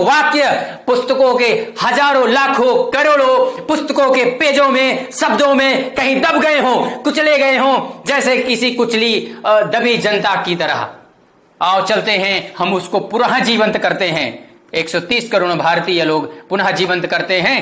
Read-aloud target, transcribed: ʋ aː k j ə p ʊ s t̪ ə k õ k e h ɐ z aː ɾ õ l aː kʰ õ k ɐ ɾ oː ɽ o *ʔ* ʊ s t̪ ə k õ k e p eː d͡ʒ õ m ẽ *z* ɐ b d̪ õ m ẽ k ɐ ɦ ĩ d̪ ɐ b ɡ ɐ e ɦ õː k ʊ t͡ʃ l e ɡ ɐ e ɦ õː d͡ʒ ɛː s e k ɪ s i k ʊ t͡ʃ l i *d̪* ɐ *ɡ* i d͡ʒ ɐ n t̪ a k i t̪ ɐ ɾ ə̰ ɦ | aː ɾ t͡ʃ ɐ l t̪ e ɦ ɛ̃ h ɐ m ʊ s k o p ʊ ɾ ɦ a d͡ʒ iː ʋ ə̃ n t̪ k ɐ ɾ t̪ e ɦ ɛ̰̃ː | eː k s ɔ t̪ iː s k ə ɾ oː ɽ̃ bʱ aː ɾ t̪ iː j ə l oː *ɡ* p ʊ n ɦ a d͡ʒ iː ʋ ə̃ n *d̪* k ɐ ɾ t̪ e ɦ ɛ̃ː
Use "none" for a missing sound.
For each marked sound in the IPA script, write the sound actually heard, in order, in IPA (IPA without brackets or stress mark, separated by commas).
p, s, d̪, b, ɡ, t̪